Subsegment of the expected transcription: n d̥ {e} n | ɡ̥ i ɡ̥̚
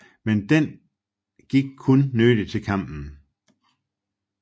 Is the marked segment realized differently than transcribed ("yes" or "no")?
no